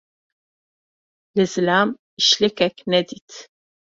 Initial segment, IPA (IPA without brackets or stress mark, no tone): l